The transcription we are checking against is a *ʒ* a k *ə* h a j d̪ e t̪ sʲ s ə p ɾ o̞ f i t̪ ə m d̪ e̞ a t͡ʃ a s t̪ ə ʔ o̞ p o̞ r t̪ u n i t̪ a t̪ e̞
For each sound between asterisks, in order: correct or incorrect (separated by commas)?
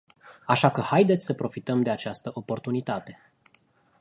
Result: incorrect, correct